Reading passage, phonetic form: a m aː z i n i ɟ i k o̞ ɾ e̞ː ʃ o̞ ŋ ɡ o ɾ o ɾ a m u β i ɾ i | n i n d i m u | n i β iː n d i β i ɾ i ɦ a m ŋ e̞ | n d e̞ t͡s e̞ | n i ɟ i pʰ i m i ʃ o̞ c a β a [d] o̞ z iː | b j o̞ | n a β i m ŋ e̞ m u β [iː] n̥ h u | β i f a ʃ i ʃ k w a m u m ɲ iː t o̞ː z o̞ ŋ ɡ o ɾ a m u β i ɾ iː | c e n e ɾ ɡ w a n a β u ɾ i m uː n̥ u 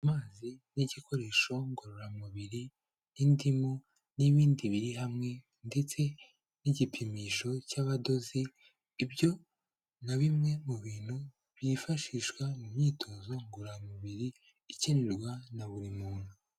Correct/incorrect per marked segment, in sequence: correct, correct

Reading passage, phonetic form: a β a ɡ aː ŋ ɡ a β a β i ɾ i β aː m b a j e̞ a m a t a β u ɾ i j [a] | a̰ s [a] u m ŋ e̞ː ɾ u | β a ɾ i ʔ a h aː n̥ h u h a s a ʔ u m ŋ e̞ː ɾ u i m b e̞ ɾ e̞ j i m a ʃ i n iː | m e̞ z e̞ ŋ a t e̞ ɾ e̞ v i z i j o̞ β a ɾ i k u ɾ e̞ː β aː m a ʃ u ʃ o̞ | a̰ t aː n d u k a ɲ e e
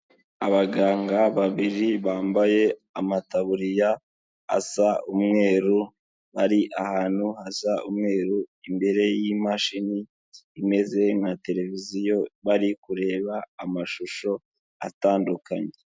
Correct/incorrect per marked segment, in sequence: correct, correct

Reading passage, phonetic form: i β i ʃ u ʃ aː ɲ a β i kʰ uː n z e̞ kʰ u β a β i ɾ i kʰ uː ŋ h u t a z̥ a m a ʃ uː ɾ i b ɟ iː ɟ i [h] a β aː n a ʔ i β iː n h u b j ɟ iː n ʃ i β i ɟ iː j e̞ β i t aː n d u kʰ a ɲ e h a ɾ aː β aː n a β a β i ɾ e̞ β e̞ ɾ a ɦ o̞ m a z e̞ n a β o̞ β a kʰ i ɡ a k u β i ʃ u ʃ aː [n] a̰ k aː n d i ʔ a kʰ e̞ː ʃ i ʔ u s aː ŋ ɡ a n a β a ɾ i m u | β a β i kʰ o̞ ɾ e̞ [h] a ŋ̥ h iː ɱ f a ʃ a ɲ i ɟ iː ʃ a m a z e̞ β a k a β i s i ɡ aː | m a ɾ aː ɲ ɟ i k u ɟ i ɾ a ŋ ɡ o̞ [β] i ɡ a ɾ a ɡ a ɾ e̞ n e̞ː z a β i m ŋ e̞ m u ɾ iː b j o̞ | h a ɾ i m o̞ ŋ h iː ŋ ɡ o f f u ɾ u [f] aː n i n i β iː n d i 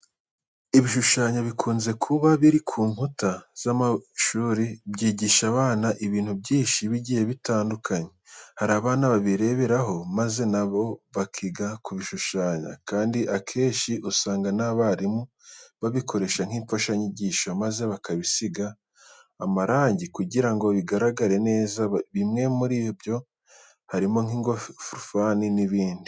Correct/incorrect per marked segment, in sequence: incorrect, incorrect, incorrect, correct, correct

